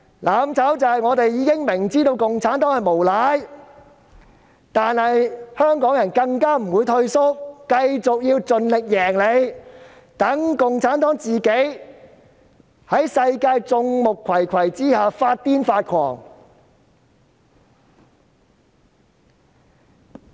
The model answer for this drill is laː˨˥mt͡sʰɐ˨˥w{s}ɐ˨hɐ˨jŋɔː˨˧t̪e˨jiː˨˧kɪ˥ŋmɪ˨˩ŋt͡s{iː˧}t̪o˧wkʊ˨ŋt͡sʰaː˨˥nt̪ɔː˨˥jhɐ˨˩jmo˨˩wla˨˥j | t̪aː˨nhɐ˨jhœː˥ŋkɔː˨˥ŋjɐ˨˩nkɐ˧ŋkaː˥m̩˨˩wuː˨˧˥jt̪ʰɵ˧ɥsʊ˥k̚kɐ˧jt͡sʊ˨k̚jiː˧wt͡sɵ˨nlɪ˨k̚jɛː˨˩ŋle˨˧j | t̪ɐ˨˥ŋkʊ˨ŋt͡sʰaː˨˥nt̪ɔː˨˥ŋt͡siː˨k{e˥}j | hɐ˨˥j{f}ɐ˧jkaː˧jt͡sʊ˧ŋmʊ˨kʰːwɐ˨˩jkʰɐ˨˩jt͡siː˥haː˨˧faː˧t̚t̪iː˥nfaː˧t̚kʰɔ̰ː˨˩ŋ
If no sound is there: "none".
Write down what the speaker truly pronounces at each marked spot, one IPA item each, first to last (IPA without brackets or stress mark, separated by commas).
t͡s, iː˥, e˨˥, s